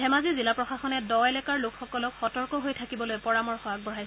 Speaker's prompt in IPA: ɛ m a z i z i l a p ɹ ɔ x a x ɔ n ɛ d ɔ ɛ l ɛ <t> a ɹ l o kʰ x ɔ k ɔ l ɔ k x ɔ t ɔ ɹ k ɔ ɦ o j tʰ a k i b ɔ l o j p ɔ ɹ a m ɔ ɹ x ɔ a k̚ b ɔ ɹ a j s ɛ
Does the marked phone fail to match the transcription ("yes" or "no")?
yes